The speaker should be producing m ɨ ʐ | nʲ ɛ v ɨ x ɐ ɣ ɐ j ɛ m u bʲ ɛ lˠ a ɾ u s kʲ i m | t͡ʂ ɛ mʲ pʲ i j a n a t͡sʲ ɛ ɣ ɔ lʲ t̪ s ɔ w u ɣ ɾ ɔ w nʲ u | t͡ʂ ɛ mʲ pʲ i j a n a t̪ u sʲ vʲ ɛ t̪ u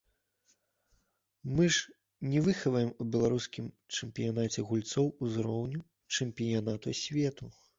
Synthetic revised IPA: m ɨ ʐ | nʲ ɛ v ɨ x ɐ v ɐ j ɛ m u bʲ ɛ lˠ a ɾ u s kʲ i m | t͡ʂ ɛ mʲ pʲ i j a n a t͡sʲ ɛ ɣ u lʲ t̪ s ɔ w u z ɾ ɔ w nʲ u | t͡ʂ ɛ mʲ pʲ i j a n a t̪ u sʲ vʲ ɛ t̪ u